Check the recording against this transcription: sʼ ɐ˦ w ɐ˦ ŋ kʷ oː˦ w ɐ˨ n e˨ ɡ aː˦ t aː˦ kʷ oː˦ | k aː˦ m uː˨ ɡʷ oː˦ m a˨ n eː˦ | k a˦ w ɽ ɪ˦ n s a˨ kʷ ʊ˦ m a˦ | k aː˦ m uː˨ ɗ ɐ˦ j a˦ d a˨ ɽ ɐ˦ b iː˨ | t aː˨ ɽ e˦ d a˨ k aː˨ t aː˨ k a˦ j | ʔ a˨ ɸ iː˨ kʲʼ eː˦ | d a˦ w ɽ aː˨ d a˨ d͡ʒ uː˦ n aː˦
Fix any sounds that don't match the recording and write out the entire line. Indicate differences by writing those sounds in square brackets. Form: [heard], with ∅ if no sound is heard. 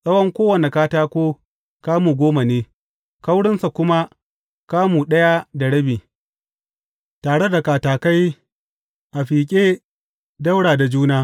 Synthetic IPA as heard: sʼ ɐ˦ w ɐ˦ ŋ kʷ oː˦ w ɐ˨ n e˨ [k] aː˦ t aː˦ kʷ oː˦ | k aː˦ m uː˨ ɡʷ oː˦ m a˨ n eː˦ | k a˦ w ɽ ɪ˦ n s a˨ kʷ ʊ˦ m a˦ | k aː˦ m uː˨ ɗ ɐ˦ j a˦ d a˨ ɽ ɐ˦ b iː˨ | t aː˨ ɽ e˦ d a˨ k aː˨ t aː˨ k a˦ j | ʔ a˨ ɸ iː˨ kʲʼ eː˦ | d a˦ w ɽ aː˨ d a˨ d͡ʒ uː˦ n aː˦